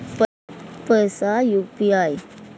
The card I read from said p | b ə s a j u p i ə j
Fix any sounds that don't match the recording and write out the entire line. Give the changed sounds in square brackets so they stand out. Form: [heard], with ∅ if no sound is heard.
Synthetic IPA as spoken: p | [p] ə s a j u p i [a] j